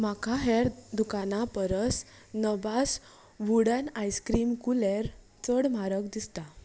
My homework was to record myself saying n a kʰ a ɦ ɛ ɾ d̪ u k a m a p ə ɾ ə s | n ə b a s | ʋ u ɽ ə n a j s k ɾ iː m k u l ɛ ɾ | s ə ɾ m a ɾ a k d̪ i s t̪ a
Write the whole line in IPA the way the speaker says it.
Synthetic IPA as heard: m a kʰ a ɦ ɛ ɾ d̪ u k a n a p ə ɾ ə s | n ə b a s | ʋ u ɽ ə n a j s k ɾ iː m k u l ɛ ɾ | t͡s ə ɽ m a ɾ ə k d̪ i s t̪ a

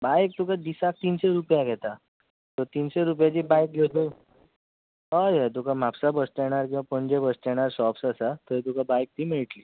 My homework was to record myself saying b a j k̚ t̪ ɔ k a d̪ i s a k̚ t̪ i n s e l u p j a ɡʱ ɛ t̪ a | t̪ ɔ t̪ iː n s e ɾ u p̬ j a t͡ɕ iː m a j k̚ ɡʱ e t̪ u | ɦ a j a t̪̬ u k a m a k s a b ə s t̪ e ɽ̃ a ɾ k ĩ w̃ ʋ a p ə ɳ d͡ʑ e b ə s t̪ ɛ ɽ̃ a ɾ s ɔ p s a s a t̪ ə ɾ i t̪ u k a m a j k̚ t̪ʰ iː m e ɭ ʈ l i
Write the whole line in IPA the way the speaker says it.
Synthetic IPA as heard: b a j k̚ t̪ u k a d̪ i s a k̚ t̪ i n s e ɾ u p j a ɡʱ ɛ t̪ a | t̪ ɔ t̪ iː n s e ɾ u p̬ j a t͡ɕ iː b a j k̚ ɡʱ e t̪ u | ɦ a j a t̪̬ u k a m a p s a b ə s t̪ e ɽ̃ a ɾ k ĩ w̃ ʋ a p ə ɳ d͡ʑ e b ə s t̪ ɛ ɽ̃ a ɾ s ɔ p s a s a t̪ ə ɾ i t̪ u k a b a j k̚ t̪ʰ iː m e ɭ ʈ l i

